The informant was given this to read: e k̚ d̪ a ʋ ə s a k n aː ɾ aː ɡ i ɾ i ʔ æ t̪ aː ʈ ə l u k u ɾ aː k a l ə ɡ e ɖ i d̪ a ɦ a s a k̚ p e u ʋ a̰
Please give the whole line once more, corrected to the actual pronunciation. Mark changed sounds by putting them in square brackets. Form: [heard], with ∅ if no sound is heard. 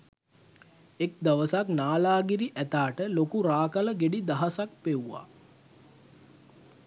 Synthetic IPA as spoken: e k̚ d̪ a ʋ ə s a k n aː [l] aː ɡ i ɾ i ʔ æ t̪ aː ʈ ə l [o] k u ɾ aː k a l ə ɡ e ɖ i d̪ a ɦ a s a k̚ p e u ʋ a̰